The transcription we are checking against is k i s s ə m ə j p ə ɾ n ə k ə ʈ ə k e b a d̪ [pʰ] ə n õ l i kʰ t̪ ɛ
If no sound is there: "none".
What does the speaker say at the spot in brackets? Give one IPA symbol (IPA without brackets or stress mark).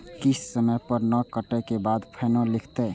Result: pʰ